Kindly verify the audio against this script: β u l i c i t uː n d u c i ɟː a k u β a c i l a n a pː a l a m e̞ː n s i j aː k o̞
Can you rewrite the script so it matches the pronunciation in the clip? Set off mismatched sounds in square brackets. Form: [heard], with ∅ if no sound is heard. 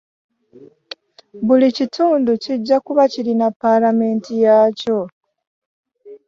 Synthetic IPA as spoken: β u l i c i t uː n d u c i ɟː a k u β a c i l [i] n a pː a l a m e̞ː n [t] i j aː [c] o̞

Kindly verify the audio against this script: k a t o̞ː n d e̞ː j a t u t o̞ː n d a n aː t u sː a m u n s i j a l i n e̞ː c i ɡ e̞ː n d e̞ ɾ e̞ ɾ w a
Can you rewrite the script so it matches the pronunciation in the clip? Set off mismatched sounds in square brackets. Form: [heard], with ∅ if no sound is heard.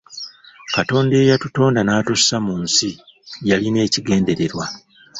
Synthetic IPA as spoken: k a t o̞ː n d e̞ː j a t u t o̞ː n d a n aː t u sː a m u n s i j a l i n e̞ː c i ɡ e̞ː n d e̞ ɾ e̞ ɾ w a

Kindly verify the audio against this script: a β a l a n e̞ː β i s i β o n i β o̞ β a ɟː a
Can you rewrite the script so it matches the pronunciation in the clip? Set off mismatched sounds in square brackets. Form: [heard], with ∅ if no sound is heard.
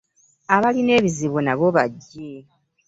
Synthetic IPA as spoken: a β a l [i] n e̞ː β i [z] i β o n [a] β o̞ β a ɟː [e]

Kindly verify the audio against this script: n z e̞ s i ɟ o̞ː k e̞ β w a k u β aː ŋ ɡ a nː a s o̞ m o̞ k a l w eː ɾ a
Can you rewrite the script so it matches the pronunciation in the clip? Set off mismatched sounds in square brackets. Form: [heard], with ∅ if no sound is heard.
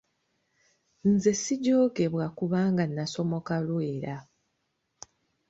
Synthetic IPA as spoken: n z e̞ s i ɟ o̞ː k e̞ β w a k u β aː ŋ ɡ a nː a s o̞ m o̞ k a l w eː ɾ a

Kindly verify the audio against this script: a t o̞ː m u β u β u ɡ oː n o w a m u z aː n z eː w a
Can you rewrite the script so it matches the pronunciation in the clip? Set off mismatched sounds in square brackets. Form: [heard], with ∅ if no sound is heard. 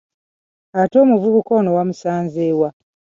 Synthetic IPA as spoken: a t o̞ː m u [v] u β u [k] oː n o w a m u [s] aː n z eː w a

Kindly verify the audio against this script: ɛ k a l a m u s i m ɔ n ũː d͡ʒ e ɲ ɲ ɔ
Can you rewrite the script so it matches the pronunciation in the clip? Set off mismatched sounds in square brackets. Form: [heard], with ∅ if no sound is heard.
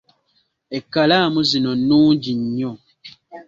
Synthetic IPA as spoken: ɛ k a l a m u [z] i [n] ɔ n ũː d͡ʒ [i] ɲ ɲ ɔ

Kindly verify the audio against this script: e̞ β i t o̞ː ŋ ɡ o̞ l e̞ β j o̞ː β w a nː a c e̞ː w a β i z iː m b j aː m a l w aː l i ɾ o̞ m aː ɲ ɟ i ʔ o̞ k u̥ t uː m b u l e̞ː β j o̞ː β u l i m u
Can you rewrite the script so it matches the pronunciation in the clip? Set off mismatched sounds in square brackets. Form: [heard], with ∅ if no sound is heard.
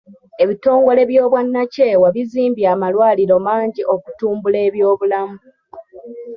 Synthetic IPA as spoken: e̞ β i t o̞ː ŋ ɡ o̞ l e̞ β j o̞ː β w a nː a c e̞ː w a β i z iː m b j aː m a l w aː l i ɾ o̞ m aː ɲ ɟ i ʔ o̞ k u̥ t uː m b u l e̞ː β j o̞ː β u l [a] m u

